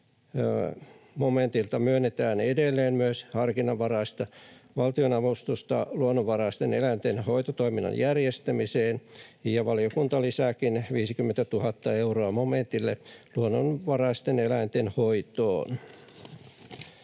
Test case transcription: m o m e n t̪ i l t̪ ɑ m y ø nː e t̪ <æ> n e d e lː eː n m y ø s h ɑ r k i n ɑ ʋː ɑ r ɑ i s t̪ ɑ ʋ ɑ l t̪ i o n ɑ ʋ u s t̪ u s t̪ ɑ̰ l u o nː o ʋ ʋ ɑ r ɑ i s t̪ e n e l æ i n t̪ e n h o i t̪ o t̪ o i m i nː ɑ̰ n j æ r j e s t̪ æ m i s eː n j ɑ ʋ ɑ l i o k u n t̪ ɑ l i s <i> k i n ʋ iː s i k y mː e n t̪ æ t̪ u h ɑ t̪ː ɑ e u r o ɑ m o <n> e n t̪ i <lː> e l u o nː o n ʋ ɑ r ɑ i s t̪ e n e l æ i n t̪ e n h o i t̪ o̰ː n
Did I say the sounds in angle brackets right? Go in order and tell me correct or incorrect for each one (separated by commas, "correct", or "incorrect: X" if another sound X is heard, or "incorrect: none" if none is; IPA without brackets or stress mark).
incorrect: æː, incorrect: æ, incorrect: m, correct